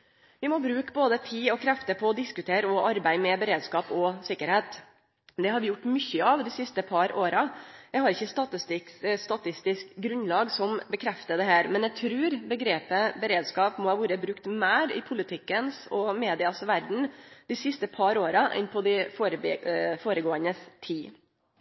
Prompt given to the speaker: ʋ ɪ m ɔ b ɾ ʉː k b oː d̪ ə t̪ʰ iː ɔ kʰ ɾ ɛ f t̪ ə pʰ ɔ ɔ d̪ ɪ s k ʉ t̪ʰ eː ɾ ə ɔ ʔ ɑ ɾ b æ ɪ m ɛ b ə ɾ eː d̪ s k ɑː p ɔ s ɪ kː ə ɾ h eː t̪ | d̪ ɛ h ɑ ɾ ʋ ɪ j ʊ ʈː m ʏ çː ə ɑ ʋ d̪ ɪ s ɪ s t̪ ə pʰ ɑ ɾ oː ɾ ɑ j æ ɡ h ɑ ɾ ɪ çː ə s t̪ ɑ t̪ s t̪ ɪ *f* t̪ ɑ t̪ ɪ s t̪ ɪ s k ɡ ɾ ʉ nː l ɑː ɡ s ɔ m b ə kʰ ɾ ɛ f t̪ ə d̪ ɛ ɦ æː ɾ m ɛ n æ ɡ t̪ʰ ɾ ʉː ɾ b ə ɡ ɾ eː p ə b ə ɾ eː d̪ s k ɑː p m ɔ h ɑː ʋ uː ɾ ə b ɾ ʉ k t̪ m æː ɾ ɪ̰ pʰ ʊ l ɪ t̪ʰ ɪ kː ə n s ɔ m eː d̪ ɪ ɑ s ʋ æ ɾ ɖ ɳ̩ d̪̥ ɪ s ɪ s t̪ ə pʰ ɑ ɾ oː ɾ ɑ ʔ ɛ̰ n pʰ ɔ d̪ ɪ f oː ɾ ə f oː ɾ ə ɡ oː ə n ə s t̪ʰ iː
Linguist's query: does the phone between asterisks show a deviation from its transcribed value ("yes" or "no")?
yes